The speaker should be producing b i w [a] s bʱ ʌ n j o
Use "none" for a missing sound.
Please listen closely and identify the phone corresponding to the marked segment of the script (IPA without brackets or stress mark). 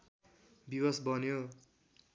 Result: ʌ